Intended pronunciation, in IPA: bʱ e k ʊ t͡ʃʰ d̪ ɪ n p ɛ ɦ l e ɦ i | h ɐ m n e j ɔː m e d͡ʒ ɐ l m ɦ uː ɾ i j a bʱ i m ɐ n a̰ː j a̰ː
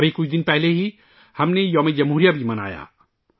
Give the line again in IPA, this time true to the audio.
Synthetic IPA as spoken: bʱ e k ʊ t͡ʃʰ d̪ ɪ n p ɛ ɦ l e ɦ i | h ɐ m n e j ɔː m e d͡ʒ ɐ m ɦ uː ɾ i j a bʱ i m ɐ n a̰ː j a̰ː